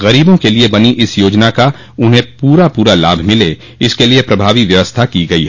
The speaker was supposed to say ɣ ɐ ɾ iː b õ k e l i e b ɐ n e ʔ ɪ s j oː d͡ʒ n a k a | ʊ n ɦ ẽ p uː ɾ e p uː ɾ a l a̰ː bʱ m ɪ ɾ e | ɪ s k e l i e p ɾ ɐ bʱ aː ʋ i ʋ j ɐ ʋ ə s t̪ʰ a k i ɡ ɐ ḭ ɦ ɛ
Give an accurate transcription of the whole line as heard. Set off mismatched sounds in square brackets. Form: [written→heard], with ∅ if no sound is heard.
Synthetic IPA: ɣ ɐ ɾ iː b õ k e l i e b ɐ n [e→i] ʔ ɪ s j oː d͡ʒ n a k a | ʊ n ɦ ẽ p uː ɾ [e→a] p uː ɾ a l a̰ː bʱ m ɪ [ɾ→l] e | ɪ s k e l i e p ɾ ɐ bʱ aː ʋ i ʋ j ɐ ʋ ə s t̪ʰ a k i ɡ ɐ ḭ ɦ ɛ